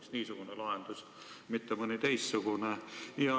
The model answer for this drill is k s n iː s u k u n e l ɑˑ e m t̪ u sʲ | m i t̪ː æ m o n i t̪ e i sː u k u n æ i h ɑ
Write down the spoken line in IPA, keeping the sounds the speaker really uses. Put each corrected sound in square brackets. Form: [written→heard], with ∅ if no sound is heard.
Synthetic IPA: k s n iː s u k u n e l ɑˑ e [m→n] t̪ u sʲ | m i t̪ː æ m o n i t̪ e i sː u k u n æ i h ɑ